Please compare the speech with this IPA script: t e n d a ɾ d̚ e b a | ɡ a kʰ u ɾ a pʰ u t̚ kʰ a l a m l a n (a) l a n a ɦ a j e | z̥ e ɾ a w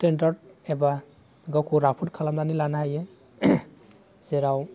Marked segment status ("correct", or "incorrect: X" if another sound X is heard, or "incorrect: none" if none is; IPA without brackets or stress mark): incorrect: i